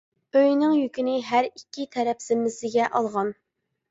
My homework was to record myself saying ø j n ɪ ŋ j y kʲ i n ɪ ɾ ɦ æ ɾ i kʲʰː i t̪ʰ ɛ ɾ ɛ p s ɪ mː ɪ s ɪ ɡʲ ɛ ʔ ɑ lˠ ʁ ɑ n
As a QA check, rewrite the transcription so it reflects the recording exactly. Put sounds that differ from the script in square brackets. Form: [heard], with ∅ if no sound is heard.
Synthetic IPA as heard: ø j n ɪ ŋ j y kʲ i n ɪ [∅] ɦ æ ɾ i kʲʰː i t̪ʰ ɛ ɾ ɛ p s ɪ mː ɪ s ɪ ɡʲ ɛ ʔ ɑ lˠ ʁ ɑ n

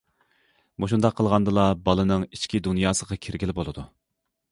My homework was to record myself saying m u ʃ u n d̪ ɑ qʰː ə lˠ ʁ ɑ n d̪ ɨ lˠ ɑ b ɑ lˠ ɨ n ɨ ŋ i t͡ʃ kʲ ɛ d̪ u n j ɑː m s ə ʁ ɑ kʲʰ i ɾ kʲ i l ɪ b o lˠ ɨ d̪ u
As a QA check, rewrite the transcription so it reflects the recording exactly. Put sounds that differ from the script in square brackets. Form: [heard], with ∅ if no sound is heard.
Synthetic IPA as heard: m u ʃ u n d̪ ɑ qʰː ə lˠ ʁ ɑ n d̪ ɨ lˠ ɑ b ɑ lˠ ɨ n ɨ ŋ i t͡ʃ kʲ [i] d̪ u n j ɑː [∅] s ə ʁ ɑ kʲʰ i ɾ [ɡʲ] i l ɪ b o lˠ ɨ d̪ u

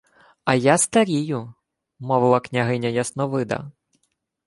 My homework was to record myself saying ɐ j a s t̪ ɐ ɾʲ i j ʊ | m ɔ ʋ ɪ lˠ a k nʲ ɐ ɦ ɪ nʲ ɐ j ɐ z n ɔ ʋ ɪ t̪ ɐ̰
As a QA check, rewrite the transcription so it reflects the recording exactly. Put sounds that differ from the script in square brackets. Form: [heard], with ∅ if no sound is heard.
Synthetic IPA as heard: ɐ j a s t̪ ɐ ɾʲ i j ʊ | m ɔ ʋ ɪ lˠ [ɐ] k nʲ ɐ ɦ ɪ nʲ ɐ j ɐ [s] n ɔ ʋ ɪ [d̪] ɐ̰

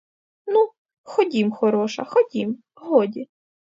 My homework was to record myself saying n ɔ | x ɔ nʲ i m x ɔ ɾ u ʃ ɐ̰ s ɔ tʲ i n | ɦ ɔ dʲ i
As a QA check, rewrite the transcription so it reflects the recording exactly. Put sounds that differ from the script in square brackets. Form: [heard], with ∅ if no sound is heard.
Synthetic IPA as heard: n [u] | x ɔ [dʲ] i m x ɔ ɾ [ɔ] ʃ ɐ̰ [x] ɔ [dʲ] i [m] | ɦ ɔ dʲ i

